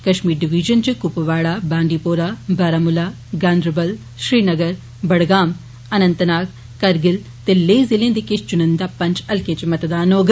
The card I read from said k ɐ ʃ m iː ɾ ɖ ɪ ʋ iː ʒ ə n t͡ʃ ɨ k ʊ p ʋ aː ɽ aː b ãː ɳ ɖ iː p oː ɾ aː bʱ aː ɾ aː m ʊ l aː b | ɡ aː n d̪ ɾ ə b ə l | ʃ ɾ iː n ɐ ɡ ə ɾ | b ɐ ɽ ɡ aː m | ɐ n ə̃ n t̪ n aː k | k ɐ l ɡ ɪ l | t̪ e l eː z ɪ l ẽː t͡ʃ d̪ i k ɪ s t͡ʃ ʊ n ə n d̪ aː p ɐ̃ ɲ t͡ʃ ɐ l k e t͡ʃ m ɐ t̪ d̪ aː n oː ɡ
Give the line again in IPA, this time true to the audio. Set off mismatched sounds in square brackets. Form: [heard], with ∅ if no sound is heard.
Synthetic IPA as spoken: k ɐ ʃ m iː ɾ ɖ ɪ ʋ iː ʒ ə n t͡ʃ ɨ k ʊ p ʋ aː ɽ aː b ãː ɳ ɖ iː p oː ɾ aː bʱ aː ɾ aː m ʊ l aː [∅] | ɡ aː n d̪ ɾ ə b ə l | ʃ ɾ iː n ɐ ɡ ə ɾ | b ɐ ɽ ɡ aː m | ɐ n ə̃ n t̪ n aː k | k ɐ [ɾ] ɡ ɪ l | t̪ e l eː z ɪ l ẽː [∅] d̪ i k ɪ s t͡ʃ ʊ n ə n d̪ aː p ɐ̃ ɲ t͡ʃ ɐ l k e t͡ʃ m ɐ t̪ d̪ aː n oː ɡ